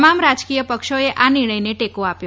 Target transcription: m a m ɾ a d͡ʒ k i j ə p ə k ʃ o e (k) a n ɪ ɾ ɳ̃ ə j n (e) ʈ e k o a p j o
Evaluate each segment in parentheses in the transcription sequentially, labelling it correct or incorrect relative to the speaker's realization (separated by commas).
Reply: incorrect, correct